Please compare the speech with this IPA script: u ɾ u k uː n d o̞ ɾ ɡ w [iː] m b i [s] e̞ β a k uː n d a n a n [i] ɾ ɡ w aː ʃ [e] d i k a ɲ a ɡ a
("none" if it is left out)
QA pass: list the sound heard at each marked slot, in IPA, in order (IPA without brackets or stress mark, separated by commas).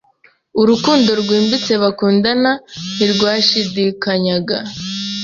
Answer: iː, t͡s, i, i